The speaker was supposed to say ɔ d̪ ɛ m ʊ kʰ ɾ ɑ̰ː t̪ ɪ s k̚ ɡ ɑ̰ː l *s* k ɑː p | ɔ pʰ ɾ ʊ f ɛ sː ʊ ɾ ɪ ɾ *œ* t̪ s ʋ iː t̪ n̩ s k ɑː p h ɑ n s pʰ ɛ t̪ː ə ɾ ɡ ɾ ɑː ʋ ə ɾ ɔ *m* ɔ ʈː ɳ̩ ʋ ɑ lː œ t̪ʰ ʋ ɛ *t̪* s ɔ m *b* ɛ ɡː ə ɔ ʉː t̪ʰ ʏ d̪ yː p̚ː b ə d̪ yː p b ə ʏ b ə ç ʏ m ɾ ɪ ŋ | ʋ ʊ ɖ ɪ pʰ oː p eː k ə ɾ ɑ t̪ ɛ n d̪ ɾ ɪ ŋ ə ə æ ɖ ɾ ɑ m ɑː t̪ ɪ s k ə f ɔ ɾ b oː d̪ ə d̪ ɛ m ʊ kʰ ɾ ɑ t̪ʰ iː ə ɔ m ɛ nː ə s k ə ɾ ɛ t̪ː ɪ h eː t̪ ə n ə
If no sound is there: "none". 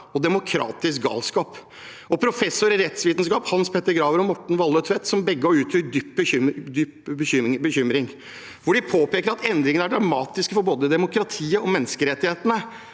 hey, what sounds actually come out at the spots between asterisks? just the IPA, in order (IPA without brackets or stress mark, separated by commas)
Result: s, ɛ, m, t̪, b